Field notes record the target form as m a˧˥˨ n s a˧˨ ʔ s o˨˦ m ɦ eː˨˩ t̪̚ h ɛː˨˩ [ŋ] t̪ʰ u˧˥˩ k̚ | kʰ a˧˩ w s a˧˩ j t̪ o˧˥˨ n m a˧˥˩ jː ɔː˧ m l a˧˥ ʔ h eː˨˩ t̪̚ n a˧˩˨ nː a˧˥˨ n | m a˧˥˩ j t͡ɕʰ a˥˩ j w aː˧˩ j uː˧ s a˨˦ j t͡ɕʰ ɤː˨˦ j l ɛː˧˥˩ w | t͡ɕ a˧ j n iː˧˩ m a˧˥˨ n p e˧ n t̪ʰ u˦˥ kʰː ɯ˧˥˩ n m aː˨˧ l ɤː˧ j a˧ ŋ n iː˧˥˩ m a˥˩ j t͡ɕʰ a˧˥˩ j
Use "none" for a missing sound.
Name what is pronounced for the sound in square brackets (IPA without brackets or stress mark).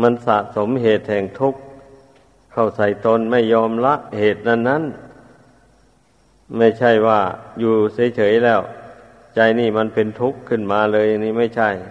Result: ŋ